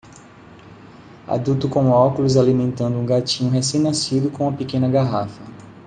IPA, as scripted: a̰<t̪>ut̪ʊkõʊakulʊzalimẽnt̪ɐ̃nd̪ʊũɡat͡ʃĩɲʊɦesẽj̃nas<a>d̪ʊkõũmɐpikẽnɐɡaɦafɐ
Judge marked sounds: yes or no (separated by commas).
no, no